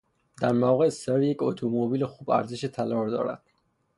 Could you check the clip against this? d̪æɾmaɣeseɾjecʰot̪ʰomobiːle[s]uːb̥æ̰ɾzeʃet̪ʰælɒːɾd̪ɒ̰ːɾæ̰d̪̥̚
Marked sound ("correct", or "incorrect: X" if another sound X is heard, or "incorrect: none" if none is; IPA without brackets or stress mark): incorrect: x